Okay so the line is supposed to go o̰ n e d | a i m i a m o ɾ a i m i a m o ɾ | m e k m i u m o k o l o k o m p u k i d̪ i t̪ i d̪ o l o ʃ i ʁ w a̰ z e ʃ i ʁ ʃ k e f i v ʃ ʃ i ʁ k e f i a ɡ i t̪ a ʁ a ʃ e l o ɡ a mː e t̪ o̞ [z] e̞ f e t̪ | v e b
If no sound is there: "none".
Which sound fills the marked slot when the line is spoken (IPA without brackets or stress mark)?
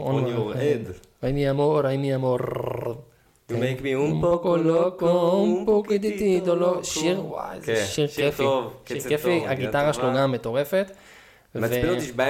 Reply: ʁ